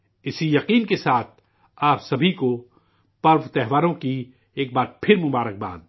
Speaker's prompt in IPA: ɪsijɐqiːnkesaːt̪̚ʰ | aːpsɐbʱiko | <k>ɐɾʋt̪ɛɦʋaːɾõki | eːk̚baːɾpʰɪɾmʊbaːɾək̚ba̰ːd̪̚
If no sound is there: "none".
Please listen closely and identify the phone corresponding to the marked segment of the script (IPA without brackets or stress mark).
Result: p